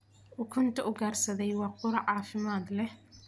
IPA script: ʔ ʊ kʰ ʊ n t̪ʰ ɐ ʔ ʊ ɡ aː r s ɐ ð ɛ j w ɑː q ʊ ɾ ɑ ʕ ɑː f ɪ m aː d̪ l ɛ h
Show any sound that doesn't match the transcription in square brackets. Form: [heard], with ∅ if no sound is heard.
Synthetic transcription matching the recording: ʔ ʊ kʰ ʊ n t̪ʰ ɐ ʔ ʊ ɡ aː r s ɐ ð ɛ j w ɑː q ʊ ɾ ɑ ʕ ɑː f ɪ m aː d̪ l ɛ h